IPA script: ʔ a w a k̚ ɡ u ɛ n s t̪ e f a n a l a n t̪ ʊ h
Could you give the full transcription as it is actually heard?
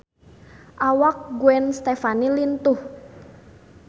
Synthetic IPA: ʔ a w a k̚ ɡ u ɛ n s t̪ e f a n i l i n t̪ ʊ h

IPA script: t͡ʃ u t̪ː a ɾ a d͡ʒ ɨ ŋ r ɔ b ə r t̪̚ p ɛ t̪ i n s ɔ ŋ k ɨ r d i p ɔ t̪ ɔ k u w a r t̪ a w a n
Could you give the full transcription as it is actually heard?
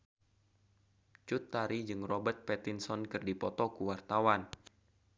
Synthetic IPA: t͡ʃ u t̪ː a ɾ i d͡ʒ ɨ ŋ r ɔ b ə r t̪̚ p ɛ t̪ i n s ɔ n k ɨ r d i p ɔ t̪ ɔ k u w a r t̪ a w a n

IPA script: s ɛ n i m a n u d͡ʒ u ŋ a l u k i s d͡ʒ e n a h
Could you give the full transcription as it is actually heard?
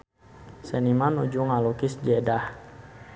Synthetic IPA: s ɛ n i m a n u d͡ʒ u ŋ a l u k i s d͡ʒ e d a h

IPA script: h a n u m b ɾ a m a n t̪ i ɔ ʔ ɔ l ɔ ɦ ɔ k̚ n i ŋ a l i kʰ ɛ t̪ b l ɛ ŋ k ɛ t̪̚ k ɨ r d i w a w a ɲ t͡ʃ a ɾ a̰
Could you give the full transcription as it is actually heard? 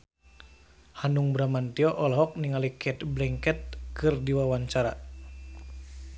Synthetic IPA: h a n u ŋ b ɾ a m a n t̪ i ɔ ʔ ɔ l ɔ ɦ ɔ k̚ n i ŋ a l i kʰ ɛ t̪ b l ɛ ŋ k ɛ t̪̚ k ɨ r d i w a w a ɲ t͡ʃ a ɾ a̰

